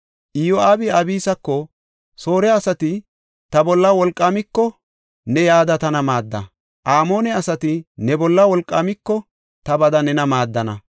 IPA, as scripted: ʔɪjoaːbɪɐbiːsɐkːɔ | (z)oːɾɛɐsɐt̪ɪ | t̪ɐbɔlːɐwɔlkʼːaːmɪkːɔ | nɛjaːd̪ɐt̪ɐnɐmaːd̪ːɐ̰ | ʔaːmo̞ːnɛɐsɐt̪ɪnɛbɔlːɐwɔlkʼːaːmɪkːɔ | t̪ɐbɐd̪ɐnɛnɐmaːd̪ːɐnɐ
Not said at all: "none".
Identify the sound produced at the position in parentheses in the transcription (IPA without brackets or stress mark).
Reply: s